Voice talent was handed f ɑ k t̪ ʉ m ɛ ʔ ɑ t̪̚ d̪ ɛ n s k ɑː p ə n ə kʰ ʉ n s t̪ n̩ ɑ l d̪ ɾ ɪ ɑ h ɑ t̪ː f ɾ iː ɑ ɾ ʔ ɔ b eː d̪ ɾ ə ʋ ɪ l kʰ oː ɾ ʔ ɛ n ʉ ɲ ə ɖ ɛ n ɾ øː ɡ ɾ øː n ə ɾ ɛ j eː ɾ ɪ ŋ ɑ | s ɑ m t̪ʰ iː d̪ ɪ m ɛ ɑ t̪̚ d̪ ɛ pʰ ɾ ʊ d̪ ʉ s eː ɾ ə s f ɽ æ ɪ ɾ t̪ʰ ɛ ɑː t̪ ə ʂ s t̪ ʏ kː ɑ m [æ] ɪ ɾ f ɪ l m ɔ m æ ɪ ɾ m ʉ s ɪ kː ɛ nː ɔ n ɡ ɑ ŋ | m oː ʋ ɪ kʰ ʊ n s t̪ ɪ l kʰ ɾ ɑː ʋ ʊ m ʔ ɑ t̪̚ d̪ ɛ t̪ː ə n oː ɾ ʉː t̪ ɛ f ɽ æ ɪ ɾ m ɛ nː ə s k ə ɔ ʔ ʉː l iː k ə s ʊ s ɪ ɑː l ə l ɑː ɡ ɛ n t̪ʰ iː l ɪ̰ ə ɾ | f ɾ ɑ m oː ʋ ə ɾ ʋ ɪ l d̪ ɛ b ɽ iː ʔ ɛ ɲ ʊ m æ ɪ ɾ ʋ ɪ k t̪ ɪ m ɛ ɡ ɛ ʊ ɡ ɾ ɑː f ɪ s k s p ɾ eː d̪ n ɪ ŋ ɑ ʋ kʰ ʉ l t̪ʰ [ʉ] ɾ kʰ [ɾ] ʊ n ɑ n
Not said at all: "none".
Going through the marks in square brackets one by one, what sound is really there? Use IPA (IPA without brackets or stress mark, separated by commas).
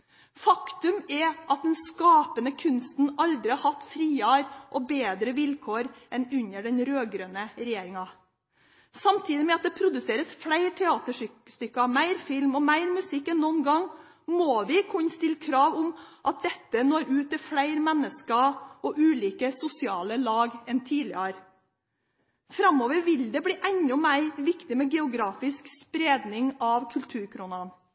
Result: æ, ʉː, ɾ